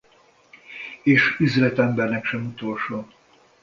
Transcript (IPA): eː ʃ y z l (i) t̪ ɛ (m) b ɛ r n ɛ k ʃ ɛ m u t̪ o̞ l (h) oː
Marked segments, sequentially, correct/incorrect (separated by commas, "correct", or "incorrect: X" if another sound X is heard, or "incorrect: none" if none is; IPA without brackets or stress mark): incorrect: ɛ, correct, incorrect: ʃ